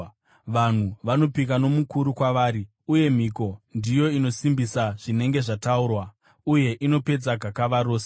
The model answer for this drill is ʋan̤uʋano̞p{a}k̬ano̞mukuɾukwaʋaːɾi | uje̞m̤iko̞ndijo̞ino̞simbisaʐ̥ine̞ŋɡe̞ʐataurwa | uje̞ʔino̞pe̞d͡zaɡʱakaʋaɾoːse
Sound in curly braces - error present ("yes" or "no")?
yes